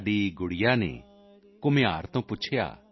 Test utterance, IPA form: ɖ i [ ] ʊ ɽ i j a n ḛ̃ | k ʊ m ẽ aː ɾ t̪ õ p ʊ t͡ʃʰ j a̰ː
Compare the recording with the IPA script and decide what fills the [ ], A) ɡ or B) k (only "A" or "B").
A